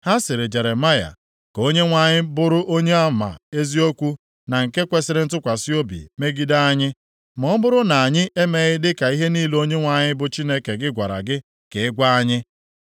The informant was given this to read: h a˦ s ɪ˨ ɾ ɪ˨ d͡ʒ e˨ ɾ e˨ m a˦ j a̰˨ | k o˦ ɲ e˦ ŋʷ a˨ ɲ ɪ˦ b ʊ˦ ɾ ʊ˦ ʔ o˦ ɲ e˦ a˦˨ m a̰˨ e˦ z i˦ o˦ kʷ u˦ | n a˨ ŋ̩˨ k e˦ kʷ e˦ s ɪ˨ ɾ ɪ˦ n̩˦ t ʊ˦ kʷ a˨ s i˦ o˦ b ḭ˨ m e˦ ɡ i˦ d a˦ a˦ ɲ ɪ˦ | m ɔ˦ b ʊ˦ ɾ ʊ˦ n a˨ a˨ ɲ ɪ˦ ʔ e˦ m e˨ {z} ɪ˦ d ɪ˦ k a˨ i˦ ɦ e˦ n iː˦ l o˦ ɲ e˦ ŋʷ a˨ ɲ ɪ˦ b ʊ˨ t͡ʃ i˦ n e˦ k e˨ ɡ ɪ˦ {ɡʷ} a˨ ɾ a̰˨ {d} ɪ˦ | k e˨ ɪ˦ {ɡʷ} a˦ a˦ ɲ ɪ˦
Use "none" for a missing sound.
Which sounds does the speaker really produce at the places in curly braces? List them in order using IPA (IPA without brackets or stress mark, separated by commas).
ɣ, ɡʷ, ɡ, ɡʷ